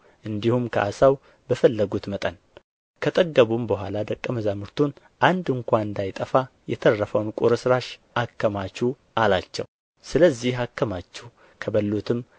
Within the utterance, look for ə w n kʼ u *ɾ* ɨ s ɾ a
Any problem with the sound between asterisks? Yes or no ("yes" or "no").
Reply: no